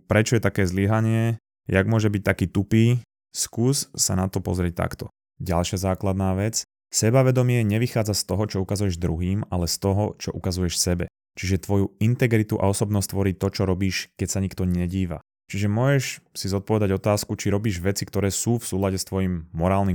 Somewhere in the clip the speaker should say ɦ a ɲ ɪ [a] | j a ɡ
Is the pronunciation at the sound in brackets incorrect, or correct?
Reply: incorrect